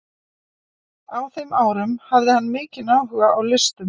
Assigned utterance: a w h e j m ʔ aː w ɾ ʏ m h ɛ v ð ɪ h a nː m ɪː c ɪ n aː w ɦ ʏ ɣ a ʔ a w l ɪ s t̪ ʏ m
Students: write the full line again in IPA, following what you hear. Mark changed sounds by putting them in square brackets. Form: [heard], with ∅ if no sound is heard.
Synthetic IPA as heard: a w [θ] e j m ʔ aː w ɾ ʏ m h [a] v ð ɪ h a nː m ɪː c ɪ n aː w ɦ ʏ ɣ a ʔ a w l ɪ s t̪ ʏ m